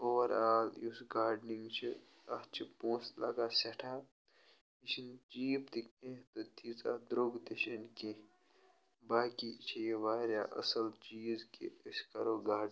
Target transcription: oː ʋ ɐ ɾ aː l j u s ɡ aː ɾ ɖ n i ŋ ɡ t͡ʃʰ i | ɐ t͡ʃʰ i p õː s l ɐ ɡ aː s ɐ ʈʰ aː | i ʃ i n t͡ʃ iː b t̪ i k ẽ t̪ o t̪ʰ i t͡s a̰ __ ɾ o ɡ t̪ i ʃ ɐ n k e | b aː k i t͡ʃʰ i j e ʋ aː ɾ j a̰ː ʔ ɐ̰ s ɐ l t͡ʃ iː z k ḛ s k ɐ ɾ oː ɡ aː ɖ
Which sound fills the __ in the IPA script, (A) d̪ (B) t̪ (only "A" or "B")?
A